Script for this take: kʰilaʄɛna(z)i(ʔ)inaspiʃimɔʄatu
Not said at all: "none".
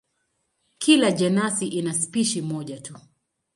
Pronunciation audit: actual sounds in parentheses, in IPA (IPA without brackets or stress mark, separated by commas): s, ʔ